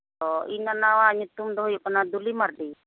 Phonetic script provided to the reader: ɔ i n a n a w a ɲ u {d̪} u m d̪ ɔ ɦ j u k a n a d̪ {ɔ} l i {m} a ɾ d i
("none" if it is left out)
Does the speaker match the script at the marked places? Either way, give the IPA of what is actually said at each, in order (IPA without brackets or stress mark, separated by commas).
t̪, u, m